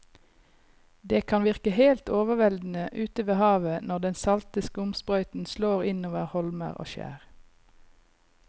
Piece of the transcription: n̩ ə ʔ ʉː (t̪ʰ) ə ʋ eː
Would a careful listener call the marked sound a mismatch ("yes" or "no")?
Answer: yes